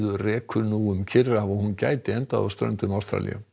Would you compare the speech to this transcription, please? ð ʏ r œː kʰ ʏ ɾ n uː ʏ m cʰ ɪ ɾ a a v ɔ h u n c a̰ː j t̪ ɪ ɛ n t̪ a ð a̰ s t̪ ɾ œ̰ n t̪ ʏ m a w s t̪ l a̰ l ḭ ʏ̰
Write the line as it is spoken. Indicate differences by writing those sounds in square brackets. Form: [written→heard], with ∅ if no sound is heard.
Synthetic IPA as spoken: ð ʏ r [œː→ɛː] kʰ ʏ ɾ n uː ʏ m cʰ ɪ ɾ a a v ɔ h u n c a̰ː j t̪ ɪ ɛ n t̪ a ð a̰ s t̪ ɾ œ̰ n t̪ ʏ m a w s t̪ [l→ɾ] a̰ l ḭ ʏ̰